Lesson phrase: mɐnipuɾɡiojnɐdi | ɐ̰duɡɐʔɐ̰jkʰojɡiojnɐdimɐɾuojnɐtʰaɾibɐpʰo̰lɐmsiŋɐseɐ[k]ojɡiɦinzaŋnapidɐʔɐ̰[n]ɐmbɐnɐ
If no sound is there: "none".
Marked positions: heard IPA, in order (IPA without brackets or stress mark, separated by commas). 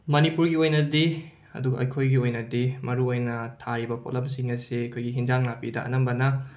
kʰ, n